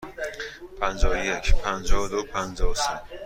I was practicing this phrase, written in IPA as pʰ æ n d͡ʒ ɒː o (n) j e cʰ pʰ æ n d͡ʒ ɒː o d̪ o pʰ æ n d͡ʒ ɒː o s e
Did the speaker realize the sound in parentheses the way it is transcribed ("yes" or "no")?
no